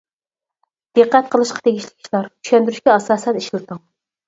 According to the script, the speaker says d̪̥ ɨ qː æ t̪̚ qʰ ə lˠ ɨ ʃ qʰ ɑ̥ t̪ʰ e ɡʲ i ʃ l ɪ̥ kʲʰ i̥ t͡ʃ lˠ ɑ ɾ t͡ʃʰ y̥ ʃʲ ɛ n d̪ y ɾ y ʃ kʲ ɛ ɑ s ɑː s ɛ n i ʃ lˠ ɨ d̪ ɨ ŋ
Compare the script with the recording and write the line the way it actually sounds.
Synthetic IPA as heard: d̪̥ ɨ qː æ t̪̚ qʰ ə lˠ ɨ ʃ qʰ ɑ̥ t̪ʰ e ɡʲ i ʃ l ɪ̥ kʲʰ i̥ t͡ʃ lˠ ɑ ɾ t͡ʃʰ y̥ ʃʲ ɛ n d̪ y ɾ y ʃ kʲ ɛ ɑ s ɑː s ɛ n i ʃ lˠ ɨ t̪ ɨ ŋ